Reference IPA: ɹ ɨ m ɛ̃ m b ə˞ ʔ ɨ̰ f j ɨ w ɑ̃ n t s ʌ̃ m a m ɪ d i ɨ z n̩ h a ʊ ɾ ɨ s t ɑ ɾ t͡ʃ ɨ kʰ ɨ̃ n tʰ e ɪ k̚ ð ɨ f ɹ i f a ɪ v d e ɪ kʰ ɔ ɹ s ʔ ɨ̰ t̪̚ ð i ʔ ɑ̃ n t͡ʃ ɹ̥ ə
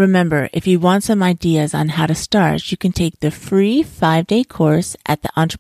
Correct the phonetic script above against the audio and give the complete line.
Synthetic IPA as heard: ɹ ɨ m ɛ̃ m b ə˞ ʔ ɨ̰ f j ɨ w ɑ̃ n t s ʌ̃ m a ɪ d i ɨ z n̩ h a ʊ ɾ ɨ s t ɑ ɹ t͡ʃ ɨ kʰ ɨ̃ n tʰ e ɪ k̚ ð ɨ f ɹ i f a ɪ v d e ɪ kʰ ɔ ɹ s ʔ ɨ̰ t̪̚ ð i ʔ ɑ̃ n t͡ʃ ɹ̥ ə